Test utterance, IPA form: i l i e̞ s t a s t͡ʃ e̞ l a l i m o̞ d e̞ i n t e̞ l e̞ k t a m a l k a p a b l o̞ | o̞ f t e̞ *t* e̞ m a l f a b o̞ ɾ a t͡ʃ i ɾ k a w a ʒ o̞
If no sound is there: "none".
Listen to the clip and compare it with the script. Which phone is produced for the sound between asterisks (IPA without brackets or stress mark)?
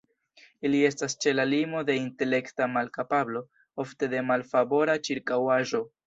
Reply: d